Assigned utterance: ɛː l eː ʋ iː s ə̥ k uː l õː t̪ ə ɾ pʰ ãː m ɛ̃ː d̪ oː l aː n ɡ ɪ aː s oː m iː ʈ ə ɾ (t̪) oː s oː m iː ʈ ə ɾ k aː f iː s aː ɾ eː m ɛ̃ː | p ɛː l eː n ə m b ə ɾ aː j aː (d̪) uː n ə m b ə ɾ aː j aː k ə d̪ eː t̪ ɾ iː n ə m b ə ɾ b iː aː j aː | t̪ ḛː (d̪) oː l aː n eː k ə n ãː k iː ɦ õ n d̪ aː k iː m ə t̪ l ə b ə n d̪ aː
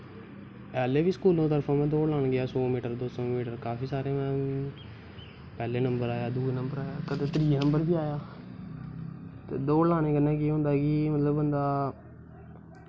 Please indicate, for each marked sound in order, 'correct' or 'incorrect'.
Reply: incorrect: d̪, correct, correct

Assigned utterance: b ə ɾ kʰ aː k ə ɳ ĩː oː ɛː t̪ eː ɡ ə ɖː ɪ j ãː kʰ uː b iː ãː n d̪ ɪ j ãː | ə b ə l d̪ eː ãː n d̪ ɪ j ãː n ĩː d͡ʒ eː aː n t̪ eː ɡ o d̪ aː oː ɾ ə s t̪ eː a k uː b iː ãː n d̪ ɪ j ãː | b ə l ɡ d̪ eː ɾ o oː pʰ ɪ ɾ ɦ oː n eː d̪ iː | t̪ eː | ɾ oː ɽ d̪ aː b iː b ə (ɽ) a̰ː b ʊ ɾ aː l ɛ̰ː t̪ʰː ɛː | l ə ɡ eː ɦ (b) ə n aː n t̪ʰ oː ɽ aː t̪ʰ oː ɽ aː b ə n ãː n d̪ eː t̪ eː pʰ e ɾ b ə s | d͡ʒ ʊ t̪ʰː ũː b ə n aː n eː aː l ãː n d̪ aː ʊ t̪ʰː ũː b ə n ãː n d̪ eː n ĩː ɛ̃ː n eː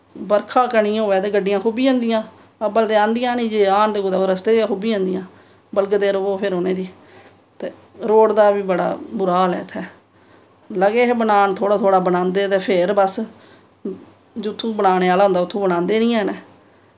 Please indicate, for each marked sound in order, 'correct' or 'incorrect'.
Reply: correct, correct

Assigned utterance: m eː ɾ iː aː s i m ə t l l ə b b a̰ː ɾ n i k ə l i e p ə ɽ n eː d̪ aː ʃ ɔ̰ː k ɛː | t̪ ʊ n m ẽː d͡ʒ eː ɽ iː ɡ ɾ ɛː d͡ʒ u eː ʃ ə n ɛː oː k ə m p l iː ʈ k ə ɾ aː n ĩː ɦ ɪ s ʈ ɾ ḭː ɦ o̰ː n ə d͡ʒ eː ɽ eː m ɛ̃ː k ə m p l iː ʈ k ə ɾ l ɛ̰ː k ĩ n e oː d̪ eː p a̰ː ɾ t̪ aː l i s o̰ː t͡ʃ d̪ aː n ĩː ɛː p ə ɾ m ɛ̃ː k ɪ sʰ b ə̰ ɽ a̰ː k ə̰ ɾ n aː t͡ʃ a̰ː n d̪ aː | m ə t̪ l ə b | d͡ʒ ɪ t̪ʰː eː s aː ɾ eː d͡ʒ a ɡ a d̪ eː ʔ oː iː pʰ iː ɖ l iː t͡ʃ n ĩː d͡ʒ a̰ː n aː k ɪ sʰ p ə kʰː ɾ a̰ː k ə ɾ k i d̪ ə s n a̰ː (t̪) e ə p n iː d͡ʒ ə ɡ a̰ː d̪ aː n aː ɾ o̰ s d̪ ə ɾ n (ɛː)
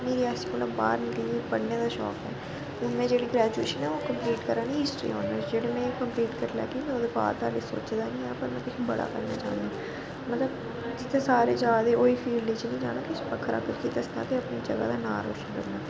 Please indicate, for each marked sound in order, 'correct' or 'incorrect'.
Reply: correct, incorrect: aː

